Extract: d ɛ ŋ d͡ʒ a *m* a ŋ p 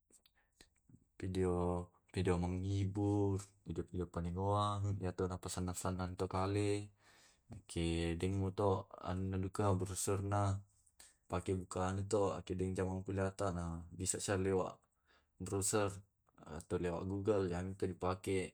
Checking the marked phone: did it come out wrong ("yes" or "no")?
no